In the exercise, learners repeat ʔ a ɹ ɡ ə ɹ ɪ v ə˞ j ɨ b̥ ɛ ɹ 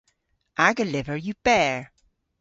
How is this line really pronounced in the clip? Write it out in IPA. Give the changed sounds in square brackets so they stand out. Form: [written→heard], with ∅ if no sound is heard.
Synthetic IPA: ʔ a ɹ ɡ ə [ɹ→l] ɪ v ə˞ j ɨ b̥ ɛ ɹ